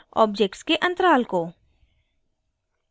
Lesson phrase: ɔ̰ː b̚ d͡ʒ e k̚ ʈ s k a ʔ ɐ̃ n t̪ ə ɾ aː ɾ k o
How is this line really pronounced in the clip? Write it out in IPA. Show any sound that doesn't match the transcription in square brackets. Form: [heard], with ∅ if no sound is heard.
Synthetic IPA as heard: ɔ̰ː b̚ d͡ʒ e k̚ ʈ s k [e] ʔ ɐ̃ n t̪ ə ɾ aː [l] k o